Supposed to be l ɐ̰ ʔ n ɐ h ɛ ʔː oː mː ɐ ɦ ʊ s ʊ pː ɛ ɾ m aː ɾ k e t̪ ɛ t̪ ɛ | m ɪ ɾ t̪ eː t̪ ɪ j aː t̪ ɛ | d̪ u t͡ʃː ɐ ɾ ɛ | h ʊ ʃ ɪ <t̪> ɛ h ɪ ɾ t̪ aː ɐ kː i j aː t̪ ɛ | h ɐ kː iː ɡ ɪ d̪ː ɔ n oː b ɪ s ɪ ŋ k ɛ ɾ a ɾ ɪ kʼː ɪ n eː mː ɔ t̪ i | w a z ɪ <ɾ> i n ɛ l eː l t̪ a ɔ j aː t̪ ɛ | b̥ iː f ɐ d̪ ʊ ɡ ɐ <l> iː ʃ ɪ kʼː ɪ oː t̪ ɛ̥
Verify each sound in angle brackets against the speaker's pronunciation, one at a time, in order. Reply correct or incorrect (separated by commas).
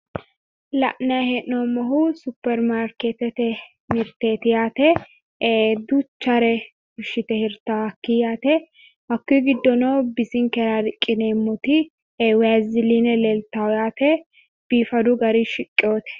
correct, incorrect, incorrect